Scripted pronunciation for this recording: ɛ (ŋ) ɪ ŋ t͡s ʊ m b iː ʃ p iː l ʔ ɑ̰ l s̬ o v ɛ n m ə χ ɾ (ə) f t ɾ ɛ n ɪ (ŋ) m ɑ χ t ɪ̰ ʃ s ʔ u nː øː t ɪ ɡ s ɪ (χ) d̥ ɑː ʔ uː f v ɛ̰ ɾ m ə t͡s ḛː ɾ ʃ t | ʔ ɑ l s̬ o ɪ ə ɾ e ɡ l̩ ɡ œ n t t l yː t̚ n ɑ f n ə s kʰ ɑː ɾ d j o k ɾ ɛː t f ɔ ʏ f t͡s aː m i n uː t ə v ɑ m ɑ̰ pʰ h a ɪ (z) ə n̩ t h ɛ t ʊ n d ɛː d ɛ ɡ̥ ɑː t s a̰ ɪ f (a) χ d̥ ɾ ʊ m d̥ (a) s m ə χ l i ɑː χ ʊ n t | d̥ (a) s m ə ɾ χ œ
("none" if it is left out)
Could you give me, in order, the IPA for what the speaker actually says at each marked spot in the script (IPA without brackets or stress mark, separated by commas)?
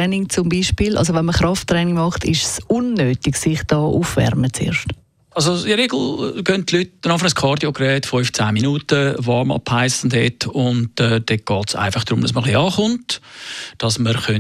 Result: n, ɑ, ŋ, χ, s, ɑ, ɑ, ɑ